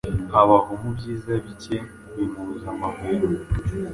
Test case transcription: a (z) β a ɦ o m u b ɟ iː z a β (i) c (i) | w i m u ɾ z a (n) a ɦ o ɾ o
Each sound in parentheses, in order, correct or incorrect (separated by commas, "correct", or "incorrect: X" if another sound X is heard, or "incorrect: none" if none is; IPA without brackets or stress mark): incorrect: none, correct, incorrect: e, incorrect: m